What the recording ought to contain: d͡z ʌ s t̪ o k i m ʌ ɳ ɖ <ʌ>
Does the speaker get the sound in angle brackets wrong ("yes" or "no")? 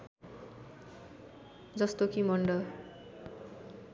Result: no